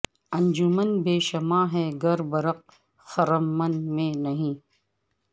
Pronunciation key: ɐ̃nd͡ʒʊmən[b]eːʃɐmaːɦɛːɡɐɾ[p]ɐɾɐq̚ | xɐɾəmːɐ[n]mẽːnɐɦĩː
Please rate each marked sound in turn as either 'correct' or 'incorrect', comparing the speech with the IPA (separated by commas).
correct, incorrect, correct